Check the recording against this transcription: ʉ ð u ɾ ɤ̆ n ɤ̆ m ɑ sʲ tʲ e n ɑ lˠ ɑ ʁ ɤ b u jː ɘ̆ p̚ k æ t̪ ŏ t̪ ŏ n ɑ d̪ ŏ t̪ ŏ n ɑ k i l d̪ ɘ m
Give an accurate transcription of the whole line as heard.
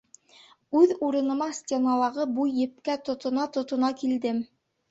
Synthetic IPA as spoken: ʉ ð u ɾ ɤ̆ n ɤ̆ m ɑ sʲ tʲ e n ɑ lˠ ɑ ʁ ɤ b u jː ɘ̆ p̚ k æ t̪ ŏ t̪ ŏ n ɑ t̪ ŏ t̪ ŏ n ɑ k i l d̪ ɘ m